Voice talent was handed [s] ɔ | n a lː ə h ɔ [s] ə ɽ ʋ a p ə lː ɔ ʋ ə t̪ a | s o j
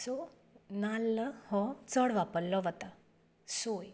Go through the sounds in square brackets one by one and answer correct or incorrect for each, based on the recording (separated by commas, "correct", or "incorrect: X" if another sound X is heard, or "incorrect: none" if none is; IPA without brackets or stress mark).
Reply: correct, incorrect: t͡s